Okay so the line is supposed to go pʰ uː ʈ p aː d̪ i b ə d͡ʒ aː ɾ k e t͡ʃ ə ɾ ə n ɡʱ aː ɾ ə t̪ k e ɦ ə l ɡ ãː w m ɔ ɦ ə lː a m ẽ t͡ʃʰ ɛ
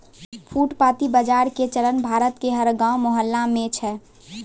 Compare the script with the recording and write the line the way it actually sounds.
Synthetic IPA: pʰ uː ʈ p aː t̪ i b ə d͡ʒ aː ɾ k e t͡ʃ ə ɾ ə n bʱ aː ɾ ə t̪ k e ɦ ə ɾ ɡ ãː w m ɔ ɦ ə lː a m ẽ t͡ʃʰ ɛ

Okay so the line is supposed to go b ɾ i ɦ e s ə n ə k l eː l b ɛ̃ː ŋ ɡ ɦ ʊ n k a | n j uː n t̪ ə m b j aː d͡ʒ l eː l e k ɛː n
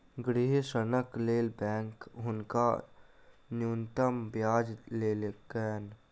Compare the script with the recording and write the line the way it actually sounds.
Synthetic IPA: ɡ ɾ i ɦ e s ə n ə k l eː l b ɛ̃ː ŋ k ɦ ʊ n k a | n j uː n t̪ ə m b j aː d͡ʒ l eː l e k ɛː n

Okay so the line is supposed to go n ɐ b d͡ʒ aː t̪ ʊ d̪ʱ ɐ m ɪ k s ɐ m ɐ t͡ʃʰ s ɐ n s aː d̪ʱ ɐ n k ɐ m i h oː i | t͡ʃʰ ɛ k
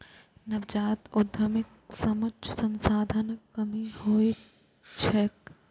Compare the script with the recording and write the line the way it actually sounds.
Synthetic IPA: n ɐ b d͡ʒ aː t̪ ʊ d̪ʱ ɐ m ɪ k s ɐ m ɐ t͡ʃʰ s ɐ n s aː d̪ʱ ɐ n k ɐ m i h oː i | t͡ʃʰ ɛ k

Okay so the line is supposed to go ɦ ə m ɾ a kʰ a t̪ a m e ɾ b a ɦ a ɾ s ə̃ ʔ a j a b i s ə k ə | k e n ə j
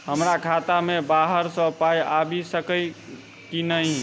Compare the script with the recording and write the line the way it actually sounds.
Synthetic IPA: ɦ ə m ɾ a kʰ a t̪ a m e b a ɦ ə ɾ s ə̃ p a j a b i s ə k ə | k i n ə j

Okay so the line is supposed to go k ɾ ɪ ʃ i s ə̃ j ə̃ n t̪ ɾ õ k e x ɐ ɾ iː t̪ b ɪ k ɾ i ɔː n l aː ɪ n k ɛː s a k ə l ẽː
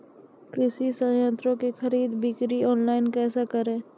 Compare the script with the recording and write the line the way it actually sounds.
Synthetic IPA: k ɾ ɪ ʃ i s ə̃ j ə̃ n t̪ ɾ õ k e x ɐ ɾ iː d̪ b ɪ k ɾ i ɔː n l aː ɪ n k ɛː s a k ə ɾ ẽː

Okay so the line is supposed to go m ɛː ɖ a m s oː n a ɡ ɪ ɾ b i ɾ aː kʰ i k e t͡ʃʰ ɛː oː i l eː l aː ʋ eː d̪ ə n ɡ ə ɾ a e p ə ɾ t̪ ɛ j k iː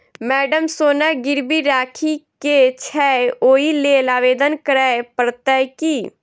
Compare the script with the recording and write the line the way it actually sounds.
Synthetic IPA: m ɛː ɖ ə m s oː n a ɡ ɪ ɾ b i ɾ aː kʰ i k e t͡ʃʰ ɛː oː i l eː l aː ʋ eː d̪ ə n k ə ɾ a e p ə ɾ t̪ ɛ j k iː

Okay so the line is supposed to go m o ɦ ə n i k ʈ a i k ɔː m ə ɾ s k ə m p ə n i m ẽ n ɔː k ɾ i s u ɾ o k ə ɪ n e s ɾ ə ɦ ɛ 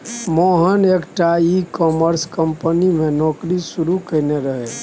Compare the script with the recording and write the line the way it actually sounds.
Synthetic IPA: m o ɦ ə n e k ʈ a i k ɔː m ə ɾ s k ə m p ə n i m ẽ n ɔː k ɾ i s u ɾ u k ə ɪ n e ɾ ə ɦ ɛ

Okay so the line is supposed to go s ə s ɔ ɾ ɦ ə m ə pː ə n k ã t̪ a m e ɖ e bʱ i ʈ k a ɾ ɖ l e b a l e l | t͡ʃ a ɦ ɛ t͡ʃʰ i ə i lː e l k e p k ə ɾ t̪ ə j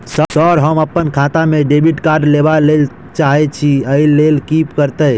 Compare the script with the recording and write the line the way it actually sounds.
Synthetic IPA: s ə s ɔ ɾ ɦ ə m ə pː ə n kʰ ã t̪ a m e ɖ e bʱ i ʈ k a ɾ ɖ l e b a l e l | t͡ʃ a ɦ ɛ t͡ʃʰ i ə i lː e l k i p k ə ɾ t̪ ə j

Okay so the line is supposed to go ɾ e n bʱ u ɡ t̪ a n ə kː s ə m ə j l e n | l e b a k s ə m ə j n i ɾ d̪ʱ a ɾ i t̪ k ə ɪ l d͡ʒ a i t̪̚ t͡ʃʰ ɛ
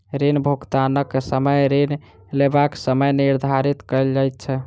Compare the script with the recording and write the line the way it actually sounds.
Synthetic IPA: ɾ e n bʱ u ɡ t̪ a n ə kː s ə m ə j ɾ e n | l e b a k s ə m ə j n i ɾ d̪ʱ a ɾ i t̪ k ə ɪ l d͡ʒ a j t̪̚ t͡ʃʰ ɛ

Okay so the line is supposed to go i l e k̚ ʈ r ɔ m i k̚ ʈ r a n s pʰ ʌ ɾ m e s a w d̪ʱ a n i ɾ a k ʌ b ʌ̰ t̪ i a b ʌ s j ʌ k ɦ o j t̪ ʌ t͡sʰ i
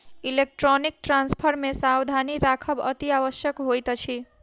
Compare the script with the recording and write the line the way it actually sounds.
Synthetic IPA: i l e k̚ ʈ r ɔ n i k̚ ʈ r a n s pʰ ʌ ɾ m e s a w d̪ʱ a n i ɾ a kʰ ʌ b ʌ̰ t̪ i a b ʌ s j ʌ k ɦ o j t̪ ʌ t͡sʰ i

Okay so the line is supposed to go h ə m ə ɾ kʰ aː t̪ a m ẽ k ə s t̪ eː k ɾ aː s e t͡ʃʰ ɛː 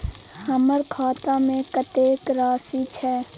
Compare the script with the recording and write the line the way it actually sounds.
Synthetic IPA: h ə m ə ɾ kʰ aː t̪ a m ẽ k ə t̪ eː k ɾ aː s i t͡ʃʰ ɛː

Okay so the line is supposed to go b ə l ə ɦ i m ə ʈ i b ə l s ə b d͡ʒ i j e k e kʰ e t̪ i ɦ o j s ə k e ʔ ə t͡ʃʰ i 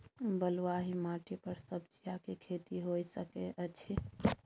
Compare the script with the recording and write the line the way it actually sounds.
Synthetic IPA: b ə l a ɦ i m a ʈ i p ə ɾ s ə b d͡ʒ i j a k e kʰ e t̪ i ɦ o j s ə k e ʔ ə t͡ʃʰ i

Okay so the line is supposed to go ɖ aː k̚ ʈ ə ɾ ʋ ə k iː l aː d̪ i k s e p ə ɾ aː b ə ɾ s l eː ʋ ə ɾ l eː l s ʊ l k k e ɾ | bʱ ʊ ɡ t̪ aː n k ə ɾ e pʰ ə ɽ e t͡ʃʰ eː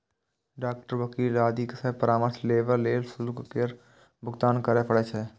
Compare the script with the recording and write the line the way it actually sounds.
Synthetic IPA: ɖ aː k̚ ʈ ə ɾ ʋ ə k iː l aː d̪ i k s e p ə ɾ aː m ə ɾ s l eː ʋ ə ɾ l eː l s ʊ l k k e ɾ | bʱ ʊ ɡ t̪ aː n k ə ɾ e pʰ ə ɽ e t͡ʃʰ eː

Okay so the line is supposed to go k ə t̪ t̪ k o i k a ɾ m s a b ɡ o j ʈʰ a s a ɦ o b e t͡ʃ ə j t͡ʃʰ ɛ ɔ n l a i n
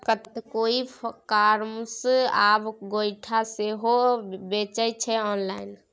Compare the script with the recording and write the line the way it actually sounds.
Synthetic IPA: k ə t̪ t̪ k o i k a ɾ m s a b ɡ o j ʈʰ a s e ɦ o b e t͡ʃ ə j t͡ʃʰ ɛ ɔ n l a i n

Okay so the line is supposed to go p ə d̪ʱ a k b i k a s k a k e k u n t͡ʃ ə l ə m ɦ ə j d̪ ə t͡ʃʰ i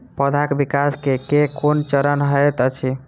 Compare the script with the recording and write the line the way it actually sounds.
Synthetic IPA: p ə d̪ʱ a k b i k a s k e k e k o n t͡ʃ ə ɾ ə n ɦ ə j t̪ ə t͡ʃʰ i

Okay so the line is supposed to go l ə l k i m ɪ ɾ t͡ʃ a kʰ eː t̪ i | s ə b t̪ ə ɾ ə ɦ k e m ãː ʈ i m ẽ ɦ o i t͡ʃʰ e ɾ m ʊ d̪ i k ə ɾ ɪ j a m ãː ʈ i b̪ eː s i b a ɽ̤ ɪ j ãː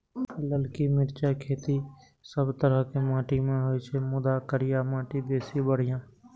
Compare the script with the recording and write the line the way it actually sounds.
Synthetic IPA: l ə l k i m ɪ ɾ t͡ʃ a kʰ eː t̪ i | s ə b t̪ ə ɾ ə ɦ k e m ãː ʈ i m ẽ ɦ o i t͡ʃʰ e m ʊ d̪ a k ə ɾ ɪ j a m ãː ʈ i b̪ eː s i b ə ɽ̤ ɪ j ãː

